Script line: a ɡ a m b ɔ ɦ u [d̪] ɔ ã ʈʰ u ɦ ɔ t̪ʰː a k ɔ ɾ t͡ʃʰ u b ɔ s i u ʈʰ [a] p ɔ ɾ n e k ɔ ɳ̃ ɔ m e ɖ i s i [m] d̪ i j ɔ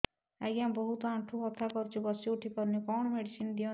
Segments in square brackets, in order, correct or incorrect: incorrect, incorrect, incorrect

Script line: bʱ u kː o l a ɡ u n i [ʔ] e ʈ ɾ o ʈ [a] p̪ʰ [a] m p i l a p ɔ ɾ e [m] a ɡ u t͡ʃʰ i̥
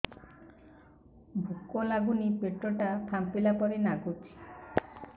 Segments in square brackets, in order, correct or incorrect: incorrect, correct, correct, incorrect

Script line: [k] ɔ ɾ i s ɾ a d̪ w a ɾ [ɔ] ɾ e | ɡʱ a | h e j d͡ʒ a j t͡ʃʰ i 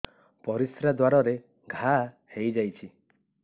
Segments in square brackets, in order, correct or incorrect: incorrect, correct

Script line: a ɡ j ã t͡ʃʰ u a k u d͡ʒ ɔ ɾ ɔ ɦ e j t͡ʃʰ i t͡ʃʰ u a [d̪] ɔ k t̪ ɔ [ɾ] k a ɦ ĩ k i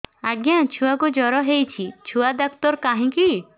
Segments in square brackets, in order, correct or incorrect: correct, correct

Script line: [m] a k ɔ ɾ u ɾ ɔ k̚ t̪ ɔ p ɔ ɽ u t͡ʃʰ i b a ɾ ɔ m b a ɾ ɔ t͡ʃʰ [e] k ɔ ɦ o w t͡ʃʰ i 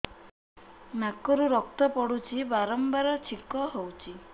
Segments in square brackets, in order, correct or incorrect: incorrect, incorrect

